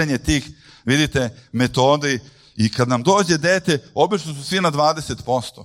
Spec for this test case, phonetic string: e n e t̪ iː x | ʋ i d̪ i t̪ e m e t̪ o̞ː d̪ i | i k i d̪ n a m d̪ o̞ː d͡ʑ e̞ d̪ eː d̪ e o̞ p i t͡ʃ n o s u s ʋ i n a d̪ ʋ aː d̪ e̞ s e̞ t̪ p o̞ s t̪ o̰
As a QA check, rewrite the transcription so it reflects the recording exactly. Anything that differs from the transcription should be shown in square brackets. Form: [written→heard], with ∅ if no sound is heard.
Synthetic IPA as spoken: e [n→ɲ] e t̪ iː x | ʋ i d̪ i t̪ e m e t̪ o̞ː d̪ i | i k [i→a] d̪ n a m d̪ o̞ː d͡ʑ e̞ d̪ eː [d̪→t̪] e o̞ [p→b] i t͡ʃ n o s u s ʋ i n a d̪ ʋ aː d̪ e̞ s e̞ t̪ p o̞ s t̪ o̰